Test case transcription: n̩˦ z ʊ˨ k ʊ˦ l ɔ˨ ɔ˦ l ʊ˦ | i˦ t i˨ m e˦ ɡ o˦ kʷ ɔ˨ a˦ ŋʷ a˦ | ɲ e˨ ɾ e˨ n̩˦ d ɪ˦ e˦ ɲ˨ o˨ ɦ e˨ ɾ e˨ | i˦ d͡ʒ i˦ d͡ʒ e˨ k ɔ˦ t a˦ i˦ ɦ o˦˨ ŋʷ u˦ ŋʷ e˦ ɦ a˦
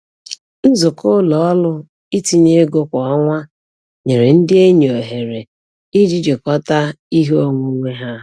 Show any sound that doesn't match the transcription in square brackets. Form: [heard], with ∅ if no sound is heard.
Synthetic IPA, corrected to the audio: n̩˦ z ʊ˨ k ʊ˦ l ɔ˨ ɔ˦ l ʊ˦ | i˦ t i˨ [ɲ] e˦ ɡ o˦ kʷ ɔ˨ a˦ ŋʷ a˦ | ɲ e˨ ɾ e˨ n̩˦ d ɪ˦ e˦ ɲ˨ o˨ ɦ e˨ ɾ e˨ | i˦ d͡ʒ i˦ d͡ʒ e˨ k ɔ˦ t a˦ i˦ ɦ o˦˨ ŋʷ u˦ ŋʷ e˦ ɦ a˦

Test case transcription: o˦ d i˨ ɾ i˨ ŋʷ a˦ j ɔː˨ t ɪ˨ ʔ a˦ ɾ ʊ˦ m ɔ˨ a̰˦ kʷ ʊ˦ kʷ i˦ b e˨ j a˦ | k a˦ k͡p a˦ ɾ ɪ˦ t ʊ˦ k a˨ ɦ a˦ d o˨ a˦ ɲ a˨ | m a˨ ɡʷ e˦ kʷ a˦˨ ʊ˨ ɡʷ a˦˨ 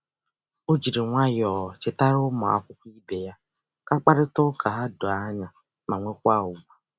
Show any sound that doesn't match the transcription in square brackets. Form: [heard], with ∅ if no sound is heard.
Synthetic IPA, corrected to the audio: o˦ [d͡ʒ] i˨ ɾ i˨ ŋʷ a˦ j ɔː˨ [t͡ʃ] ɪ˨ [t] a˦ ɾ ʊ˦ m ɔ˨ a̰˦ kʷ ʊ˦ kʷ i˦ b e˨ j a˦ | k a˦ k͡p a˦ ɾ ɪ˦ t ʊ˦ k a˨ ɦ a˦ d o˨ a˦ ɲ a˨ | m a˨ [ŋʷ] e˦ kʷ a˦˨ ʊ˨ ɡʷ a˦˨

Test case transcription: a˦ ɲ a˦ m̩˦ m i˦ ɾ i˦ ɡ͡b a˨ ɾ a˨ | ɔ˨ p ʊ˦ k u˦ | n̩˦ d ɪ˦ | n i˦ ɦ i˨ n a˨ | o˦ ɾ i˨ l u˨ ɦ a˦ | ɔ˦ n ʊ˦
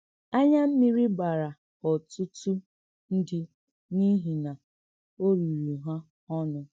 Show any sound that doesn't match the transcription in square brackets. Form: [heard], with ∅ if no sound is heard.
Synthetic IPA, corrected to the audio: a˦ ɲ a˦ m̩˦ m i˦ ɾ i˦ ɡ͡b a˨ ɾ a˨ | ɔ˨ [t] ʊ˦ [t] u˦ | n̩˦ d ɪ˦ | n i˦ ɦ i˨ n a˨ | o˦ ɾ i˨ [ɾ] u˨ ɦ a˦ | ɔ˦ n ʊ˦

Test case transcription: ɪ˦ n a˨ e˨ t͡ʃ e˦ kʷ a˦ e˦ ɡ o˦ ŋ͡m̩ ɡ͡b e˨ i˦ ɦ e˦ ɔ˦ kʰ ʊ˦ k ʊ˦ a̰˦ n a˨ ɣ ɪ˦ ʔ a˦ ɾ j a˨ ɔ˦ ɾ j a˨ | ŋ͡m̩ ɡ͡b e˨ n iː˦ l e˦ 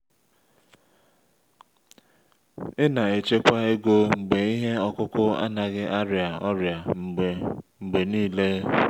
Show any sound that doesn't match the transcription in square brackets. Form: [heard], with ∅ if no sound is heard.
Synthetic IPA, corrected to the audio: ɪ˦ n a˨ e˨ t͡ʃ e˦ kʷ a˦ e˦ ɡ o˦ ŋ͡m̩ ɡ͡b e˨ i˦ ɦ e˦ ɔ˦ [k] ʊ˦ k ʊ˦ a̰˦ n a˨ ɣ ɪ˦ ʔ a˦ ɾ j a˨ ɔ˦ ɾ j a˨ | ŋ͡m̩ ɡ͡b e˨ n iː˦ l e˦

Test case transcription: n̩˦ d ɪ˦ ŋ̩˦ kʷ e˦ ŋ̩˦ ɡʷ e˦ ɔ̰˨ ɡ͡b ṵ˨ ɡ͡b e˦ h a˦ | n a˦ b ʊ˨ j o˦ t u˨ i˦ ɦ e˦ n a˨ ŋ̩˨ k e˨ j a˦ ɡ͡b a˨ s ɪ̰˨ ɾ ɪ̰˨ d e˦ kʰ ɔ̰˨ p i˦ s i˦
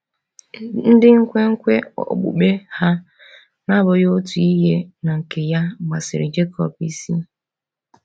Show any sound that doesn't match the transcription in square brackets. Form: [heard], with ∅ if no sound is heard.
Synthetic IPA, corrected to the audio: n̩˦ d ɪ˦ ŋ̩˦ kʷ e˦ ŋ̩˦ [kʷ] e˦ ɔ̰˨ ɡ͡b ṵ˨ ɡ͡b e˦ h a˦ | n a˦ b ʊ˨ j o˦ t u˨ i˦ ɦ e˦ n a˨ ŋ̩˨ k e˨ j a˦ ɡ͡b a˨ s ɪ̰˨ ɾ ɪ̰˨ [d͡ʒ] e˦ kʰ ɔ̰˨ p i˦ s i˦

